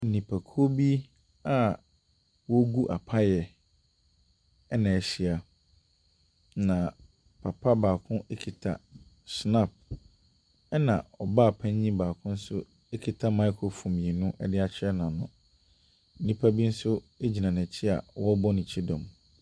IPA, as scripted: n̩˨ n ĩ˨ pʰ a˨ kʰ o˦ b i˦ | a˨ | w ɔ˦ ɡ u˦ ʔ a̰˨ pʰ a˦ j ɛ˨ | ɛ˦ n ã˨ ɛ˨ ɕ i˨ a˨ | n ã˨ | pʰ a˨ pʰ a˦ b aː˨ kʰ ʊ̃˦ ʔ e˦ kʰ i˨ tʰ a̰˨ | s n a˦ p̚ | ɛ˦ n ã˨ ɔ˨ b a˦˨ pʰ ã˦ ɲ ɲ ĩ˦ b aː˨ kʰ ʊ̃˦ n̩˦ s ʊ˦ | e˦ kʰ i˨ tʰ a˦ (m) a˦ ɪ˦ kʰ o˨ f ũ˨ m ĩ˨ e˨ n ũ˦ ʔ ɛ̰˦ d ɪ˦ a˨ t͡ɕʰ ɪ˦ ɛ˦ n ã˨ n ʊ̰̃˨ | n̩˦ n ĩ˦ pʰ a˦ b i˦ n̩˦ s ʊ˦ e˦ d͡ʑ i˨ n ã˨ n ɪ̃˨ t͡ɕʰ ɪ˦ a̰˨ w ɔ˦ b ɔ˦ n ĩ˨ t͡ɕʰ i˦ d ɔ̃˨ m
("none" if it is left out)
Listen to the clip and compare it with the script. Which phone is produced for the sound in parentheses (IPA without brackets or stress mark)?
m